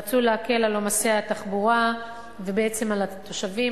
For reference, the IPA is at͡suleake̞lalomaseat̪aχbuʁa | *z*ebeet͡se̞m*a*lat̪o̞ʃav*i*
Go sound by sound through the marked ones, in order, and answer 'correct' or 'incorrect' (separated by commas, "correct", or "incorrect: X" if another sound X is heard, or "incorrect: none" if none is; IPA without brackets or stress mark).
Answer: incorrect: v, correct, correct